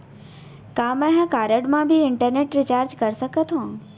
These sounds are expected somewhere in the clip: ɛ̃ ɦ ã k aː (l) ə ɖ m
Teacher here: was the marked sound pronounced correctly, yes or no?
no